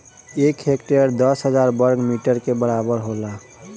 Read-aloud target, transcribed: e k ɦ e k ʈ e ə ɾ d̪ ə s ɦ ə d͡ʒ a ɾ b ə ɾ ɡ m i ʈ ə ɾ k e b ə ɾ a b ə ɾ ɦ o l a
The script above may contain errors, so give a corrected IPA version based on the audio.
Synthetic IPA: e k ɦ e k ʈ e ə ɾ d̪ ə s ɦ ə d͡ʒ a ɾ b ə ɾ ɡ m i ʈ ə ɾ k e b ə ɾ a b ə ɾ ɦ o l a